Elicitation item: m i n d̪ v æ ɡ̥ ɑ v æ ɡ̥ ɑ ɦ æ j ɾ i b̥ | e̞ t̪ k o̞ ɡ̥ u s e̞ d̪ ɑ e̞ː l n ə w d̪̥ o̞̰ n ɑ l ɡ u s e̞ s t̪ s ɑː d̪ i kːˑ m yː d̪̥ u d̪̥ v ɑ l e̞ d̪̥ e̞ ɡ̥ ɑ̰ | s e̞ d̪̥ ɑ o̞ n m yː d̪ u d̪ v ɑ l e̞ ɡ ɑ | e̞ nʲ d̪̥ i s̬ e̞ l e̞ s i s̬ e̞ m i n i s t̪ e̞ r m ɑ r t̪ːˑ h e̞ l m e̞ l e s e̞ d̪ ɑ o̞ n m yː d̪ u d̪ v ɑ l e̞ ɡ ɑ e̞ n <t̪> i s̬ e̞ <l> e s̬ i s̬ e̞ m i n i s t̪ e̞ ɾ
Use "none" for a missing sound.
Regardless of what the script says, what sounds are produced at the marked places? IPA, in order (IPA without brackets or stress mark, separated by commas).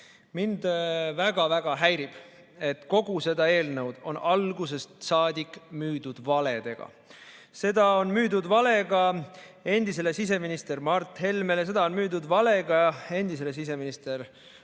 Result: d̪, l